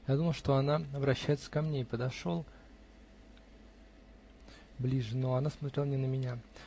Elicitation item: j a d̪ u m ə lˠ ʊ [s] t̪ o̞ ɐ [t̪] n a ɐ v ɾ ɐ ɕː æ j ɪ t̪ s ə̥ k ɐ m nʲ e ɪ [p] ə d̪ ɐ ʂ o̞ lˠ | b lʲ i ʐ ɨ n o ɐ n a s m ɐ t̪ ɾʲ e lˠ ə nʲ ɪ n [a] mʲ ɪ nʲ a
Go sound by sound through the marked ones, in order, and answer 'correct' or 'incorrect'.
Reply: incorrect: ʂ, incorrect: none, correct, incorrect: ə

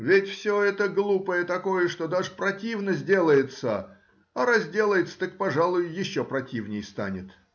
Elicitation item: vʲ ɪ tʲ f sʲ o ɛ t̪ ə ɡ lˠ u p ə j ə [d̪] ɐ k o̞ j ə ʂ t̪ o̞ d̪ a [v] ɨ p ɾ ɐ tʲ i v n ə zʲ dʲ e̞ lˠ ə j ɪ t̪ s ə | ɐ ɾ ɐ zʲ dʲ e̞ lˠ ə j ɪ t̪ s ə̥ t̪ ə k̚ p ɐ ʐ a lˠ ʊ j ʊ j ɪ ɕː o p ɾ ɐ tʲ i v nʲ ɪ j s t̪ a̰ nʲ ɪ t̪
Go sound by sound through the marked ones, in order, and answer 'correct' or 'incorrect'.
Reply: incorrect: t̪, incorrect: ʐ

